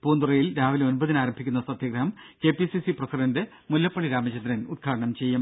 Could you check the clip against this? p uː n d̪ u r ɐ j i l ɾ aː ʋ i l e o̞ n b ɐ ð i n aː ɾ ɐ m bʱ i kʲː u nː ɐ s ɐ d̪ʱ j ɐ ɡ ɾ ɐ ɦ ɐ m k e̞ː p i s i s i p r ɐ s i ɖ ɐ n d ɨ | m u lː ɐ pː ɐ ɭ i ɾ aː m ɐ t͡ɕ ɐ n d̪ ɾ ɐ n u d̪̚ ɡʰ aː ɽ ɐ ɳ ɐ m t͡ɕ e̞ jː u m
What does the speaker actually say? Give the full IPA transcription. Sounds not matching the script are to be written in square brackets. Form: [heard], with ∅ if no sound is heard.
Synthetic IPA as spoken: p uː n d̪ u r ɐ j i l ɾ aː ʋ i l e o̞ n b ɐ ð i n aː ɾ ɐ m bʱ i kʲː u nː ɐ s ɐ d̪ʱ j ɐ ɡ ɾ ɐ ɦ ɐ m k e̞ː p i s i s i p r ɐ s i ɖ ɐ n d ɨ | m u lː ɐ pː ɐ ɭ i ɾ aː m ɐ t͡ɕ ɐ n d̪ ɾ ɐ n u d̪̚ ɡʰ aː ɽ ɐ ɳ ɐ m t͡ɕ e̞ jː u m